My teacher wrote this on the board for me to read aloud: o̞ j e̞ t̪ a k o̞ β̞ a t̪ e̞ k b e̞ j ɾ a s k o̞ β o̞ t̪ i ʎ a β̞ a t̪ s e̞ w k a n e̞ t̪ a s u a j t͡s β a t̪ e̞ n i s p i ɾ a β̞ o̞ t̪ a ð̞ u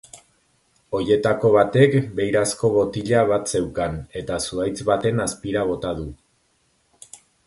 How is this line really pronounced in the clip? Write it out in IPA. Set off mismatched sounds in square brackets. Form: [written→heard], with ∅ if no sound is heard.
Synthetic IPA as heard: o̞ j e̞ t̪ a k o̞ β̞ a t̪ e̞ k b e̞ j ɾ a s k o̞ β o̞ t̪ i ʎ a β̞ a t̪ s e̞ w k a n e̞ t̪ a s u a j t͡s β a t̪ e̞ n [i→a] s p i ɾ a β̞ o̞ t̪ a ð̞ u